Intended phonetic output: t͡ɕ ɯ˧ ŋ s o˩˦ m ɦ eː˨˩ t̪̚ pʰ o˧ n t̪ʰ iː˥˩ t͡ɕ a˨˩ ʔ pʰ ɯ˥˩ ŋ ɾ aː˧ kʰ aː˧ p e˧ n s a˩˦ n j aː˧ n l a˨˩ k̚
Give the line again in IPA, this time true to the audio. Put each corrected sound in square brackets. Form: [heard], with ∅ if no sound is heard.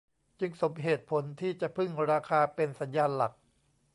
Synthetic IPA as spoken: t͡ɕ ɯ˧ ŋ s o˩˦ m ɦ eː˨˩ t̪̚ pʰ [o˩˦] n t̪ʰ iː˥˩ t͡ɕ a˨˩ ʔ pʰ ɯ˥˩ ŋ ɾ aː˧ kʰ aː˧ p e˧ n s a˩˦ n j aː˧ n l a˨˩ k̚